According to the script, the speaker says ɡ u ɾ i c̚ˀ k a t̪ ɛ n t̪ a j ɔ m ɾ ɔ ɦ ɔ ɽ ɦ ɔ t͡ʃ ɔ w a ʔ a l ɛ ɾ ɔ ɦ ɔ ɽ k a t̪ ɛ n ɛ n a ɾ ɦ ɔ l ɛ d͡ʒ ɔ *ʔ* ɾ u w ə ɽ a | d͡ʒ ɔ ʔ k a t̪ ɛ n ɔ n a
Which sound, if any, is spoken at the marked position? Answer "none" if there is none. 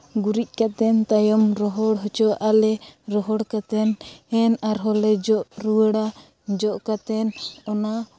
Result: ʔ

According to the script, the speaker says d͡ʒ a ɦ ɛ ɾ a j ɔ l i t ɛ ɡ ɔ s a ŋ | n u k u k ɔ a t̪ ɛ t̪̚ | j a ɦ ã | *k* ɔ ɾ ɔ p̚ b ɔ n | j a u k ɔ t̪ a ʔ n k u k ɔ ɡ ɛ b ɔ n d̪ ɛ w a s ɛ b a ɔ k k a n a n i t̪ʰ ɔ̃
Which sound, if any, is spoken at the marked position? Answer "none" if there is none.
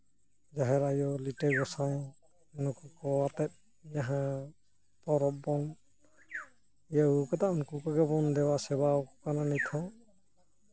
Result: p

